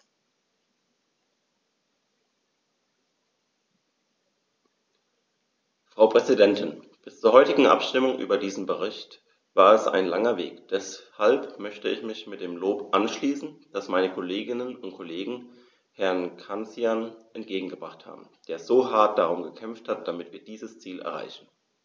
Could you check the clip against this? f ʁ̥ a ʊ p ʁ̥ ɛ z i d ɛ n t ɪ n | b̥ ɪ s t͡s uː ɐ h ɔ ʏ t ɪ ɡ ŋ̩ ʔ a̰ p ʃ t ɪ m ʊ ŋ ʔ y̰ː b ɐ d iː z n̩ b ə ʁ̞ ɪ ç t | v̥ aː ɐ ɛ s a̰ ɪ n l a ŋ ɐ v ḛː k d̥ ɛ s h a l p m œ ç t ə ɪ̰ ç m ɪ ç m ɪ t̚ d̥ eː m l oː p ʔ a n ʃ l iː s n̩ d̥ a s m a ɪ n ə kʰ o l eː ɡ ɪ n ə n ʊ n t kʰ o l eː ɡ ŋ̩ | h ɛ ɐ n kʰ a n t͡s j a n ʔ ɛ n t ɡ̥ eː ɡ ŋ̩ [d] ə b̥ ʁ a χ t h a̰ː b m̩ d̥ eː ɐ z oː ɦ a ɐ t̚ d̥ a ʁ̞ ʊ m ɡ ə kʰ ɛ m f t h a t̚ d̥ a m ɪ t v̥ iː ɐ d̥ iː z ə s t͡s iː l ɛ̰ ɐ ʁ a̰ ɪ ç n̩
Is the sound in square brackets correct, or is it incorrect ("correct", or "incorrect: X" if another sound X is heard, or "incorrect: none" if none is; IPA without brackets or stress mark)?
incorrect: ɡ